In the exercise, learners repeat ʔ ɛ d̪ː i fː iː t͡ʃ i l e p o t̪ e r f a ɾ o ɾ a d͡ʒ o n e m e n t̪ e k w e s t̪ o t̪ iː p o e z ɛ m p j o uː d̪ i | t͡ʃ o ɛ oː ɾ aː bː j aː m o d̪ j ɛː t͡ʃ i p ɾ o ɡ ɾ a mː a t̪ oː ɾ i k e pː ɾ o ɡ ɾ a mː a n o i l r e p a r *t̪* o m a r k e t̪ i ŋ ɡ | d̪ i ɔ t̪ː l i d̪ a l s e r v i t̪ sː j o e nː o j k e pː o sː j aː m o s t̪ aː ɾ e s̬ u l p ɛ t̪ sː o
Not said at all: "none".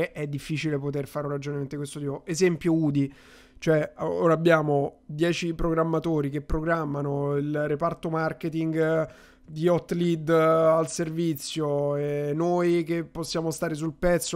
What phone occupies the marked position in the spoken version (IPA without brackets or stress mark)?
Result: t̪